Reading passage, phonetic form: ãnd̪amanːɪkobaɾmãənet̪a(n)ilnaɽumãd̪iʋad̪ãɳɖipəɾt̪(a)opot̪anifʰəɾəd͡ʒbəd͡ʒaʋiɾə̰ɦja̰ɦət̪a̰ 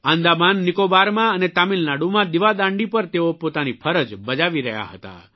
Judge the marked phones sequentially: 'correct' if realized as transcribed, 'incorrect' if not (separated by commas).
incorrect, incorrect